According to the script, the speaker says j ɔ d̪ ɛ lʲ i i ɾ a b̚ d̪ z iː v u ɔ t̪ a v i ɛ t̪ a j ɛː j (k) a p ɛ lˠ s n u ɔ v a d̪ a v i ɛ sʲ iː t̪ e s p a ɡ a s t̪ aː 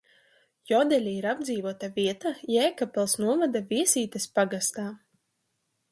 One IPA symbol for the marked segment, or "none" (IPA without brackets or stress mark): k